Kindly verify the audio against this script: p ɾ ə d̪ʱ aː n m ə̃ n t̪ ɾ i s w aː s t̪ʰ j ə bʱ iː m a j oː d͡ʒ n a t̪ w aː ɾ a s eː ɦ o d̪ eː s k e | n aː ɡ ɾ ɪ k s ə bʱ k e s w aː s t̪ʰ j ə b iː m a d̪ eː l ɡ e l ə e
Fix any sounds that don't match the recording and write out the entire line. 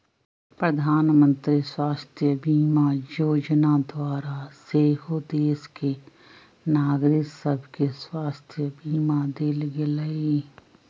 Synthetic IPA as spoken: p ɾ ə d̪ʱ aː n m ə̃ n t̪ ɾ i s w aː s t̪ʰ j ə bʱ iː m a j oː d͡ʒ n a d̪ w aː ɾ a s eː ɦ o d̪ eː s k e | n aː ɡ ɾ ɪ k s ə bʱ k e s w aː s t̪ʰ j ə b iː m a d̪ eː l ɡ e l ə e